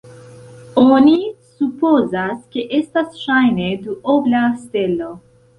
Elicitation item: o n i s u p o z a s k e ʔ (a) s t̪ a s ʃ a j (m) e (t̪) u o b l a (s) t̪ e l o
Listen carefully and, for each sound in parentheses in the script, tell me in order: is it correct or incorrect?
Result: incorrect: e, incorrect: n, incorrect: d̪, correct

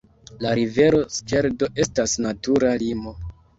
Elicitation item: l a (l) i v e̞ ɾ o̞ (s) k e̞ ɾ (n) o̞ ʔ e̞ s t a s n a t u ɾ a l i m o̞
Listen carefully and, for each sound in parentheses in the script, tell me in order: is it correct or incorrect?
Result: incorrect: ɾ, correct, incorrect: d

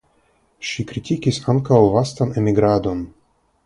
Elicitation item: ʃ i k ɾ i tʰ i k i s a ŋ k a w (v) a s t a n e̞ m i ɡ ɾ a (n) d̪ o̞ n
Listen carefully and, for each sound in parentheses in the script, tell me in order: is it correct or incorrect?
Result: correct, incorrect: none

